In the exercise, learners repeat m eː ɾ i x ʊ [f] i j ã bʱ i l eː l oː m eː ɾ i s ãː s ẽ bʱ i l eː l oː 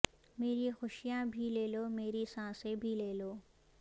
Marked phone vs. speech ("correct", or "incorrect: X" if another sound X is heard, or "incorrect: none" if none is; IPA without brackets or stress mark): incorrect: ʃ